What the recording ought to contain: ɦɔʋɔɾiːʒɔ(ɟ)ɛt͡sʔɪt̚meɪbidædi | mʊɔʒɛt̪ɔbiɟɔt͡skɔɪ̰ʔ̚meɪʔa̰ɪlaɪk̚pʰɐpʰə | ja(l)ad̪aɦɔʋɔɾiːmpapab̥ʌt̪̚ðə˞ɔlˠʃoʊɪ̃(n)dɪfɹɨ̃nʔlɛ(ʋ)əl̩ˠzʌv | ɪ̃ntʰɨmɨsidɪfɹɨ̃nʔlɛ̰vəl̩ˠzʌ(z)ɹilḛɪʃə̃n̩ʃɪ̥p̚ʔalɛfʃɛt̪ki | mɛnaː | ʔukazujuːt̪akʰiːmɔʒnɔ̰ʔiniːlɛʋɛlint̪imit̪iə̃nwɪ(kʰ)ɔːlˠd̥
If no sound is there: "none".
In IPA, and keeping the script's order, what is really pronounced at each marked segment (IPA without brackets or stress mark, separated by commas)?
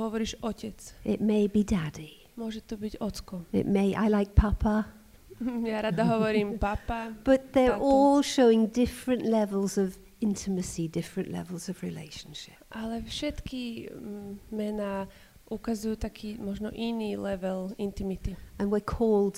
c, ɾ, ŋ, v, v, kʰ